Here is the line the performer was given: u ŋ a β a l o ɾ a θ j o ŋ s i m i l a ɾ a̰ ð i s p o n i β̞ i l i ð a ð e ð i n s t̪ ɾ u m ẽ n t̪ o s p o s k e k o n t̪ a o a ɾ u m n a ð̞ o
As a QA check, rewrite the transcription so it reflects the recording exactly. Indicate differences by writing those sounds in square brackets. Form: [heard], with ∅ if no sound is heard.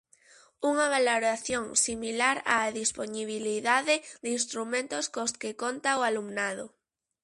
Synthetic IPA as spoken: u ŋ a β a l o ɾ a θ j o ŋ s i m i l a ɾ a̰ ð i s p o n i β̞ i l i ð a ð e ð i n s t̪ ɾ u m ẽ n t̪ o s [k] o s k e k o n t̪ a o a [l] u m n a ð̞ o